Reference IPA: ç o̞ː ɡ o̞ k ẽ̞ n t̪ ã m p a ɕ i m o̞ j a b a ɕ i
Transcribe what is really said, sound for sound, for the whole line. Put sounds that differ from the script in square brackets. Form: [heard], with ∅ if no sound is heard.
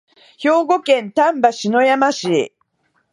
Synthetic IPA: ç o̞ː ɡ o̞ k ẽ̞ n t̪ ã m [b] a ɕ i [n] o̞ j a [m] a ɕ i